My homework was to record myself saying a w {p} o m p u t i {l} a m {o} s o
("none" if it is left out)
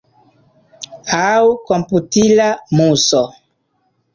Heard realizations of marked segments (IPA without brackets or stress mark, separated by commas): k, l, u